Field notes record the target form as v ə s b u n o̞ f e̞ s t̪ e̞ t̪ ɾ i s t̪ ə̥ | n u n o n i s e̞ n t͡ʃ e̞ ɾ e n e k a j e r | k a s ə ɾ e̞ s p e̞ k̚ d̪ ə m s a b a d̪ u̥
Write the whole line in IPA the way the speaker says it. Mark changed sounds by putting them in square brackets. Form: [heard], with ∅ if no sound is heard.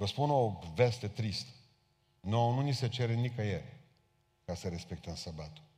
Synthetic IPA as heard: v ə s [p] u n o̞ [v] e̞ s t̪ e̞ t̪ ɾ i s t̪ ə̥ | n [o] n [u] n i s e̞ [∅] t͡ʃ e̞ ɾ e n [i] k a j e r | k a s ə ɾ e̞ s p e̞ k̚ [t̪] ə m s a b a [t̪] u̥